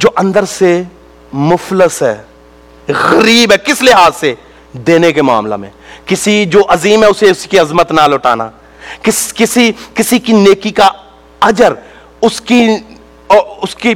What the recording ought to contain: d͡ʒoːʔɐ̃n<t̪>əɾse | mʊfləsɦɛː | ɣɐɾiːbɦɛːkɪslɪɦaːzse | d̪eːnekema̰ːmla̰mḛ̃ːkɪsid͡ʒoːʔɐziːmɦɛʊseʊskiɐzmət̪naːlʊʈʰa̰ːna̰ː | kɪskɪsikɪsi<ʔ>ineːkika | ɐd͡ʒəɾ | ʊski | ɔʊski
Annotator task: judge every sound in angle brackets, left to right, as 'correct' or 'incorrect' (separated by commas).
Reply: incorrect, incorrect